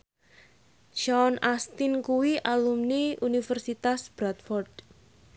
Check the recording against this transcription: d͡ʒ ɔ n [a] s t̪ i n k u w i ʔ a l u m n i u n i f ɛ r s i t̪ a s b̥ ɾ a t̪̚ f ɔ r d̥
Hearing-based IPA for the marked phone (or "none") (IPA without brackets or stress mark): a